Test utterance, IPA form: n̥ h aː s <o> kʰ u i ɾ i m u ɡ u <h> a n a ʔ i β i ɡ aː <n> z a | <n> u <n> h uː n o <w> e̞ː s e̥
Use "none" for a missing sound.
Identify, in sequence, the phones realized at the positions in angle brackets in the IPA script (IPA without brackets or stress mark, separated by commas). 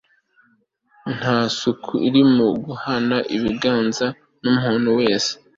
u, h, n, n, m, w